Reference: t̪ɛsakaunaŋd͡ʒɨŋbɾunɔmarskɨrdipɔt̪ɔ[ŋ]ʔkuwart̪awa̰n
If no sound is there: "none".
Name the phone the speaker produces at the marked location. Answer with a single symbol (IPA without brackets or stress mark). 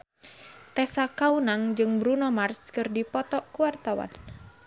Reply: none